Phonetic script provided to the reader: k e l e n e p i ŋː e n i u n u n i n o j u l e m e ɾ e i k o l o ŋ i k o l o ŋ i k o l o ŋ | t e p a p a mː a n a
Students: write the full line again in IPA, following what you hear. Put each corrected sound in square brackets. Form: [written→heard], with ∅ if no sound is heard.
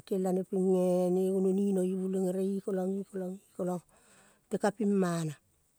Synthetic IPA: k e l [e→a] n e p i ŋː e n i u n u n i n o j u l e [m→ŋ] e ɾ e i k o l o ŋ i k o l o ŋ i k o l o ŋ | t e [p→k] a p [a→i] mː a n a

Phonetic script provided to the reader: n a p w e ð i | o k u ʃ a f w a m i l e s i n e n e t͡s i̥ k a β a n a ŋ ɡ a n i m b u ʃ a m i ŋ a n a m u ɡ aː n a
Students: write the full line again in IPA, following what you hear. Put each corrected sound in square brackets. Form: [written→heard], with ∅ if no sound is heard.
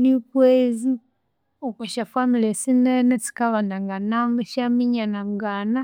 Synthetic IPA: n [a→i] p w e [ð→z] i | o k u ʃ a f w a m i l e s i n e n e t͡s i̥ k a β a n a ŋ ɡ a n [i→a] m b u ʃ a m i [ŋ→ɲ] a n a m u ɡ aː n a

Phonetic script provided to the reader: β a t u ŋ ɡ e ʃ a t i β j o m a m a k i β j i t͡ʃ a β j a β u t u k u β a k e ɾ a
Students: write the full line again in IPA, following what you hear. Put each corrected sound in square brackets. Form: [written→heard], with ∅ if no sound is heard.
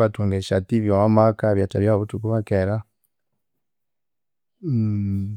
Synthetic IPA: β a t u ŋ ɡ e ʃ a t i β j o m a m a k [i→a] β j [i→a] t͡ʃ a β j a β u t u k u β a k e ɾ a

